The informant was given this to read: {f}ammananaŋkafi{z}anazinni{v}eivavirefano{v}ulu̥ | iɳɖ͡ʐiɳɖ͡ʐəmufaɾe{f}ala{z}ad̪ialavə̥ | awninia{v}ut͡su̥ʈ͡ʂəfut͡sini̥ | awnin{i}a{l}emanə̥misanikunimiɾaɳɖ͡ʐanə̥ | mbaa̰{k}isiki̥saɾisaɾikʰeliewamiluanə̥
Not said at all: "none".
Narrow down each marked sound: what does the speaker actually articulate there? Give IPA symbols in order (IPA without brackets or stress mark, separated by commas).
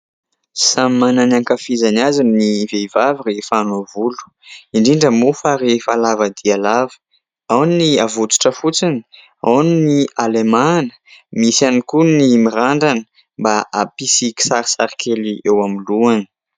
s, z, v, v, f, v, v, i, l, p